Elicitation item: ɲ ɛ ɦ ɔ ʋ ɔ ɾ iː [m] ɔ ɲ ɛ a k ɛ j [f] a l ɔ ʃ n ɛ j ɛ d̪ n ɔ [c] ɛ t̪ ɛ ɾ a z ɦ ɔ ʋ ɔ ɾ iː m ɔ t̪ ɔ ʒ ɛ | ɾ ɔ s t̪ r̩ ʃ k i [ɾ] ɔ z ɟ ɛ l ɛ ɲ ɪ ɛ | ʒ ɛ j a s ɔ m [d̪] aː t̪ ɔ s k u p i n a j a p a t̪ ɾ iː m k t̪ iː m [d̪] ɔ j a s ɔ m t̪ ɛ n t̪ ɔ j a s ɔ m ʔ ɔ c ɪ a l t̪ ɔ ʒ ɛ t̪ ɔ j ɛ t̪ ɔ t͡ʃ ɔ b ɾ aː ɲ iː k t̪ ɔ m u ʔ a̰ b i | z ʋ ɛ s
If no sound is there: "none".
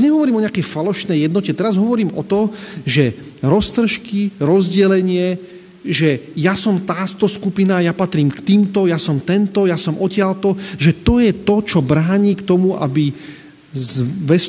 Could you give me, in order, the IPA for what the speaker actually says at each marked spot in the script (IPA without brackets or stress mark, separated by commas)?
m, f, c, ɾ, t̪, t̪